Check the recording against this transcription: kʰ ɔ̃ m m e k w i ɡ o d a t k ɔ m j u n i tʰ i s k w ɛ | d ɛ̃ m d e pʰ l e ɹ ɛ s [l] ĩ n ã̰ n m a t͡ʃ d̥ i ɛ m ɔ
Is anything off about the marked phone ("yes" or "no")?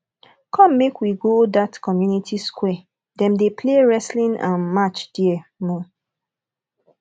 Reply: no